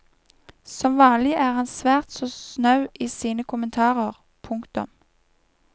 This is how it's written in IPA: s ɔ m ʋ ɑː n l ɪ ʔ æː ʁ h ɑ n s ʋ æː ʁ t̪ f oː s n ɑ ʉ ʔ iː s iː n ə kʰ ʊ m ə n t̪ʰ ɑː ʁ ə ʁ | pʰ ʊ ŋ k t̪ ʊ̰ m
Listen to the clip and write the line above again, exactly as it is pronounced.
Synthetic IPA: s ɔ m ʋ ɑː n l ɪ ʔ æː ʁ h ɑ n s ʋ æː ʁ t̪ s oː s n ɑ ʉ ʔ iː s iː n ə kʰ ʊ m ə n t̪ʰ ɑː ʁ ə ʁ | pʰ ʊ ŋ k t̪ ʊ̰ m